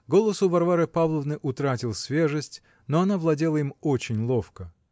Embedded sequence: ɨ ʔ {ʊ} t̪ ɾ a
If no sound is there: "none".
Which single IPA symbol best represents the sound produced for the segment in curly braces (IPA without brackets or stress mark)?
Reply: ʊ